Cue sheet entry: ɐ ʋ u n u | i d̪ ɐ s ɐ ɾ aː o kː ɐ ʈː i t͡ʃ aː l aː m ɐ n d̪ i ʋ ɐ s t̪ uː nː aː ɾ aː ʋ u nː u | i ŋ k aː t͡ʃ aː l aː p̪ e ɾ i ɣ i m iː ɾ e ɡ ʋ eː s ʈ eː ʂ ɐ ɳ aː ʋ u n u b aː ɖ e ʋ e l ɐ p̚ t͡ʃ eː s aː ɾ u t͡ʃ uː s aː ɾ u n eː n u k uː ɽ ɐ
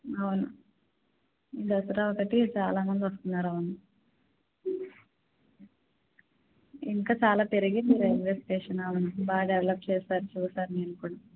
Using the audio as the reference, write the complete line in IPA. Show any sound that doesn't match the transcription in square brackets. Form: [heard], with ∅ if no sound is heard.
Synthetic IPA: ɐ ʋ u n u | i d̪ ɐ s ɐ ɾ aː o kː ɐ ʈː i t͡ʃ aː l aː m ɐ n d̪ i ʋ ɐ s t̪ [u] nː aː ɾ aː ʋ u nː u | i ŋ k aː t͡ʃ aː l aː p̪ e ɾ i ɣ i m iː ɾ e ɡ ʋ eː s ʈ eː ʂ ɐ [n] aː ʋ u n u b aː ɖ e ʋ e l ɐ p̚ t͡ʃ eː s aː ɾ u t͡ʃ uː s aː ɾ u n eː n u k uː ɽ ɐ